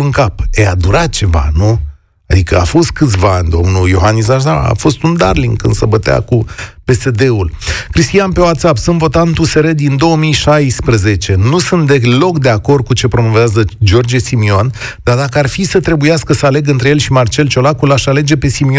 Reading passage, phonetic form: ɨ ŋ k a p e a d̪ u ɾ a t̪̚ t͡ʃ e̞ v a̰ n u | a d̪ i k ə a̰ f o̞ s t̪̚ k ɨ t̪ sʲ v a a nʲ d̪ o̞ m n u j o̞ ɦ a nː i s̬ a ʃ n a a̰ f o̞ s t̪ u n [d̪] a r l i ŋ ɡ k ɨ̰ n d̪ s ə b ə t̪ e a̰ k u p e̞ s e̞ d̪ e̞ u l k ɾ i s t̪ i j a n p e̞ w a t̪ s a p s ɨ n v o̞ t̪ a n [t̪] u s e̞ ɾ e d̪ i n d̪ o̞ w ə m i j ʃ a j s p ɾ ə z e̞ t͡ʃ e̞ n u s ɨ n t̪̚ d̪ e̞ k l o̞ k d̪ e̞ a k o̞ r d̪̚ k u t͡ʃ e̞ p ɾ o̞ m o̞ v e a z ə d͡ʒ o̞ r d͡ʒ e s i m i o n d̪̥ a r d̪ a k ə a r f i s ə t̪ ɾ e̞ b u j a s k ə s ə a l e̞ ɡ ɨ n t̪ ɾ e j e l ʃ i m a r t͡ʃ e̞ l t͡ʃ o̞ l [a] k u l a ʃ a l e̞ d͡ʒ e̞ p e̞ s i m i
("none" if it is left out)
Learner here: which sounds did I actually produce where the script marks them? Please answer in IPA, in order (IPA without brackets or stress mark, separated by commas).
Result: d̪, t̪, a